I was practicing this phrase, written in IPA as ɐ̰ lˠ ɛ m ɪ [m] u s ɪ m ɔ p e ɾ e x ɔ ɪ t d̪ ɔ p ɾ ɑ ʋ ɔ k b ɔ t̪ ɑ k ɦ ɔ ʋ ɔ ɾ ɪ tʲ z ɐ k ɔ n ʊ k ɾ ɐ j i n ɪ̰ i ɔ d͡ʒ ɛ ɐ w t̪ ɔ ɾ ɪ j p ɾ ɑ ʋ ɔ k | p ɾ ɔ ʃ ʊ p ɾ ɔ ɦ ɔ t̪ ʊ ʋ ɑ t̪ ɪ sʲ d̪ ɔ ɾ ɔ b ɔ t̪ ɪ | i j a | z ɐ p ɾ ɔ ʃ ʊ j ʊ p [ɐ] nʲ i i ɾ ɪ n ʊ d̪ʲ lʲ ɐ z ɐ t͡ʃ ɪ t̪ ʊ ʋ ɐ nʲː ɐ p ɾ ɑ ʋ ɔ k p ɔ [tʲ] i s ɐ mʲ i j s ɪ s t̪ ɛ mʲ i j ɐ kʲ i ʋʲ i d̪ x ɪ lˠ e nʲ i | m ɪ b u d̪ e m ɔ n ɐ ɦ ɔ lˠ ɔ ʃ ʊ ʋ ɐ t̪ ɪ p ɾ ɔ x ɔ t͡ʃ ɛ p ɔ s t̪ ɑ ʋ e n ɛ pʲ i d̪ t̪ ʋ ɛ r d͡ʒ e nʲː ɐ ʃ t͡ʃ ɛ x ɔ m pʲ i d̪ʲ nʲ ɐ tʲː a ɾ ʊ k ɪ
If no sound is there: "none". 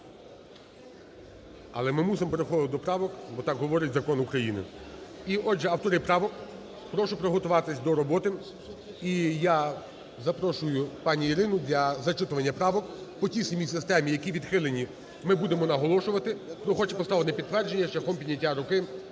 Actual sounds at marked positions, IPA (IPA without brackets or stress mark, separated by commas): m, ɑ, tʲ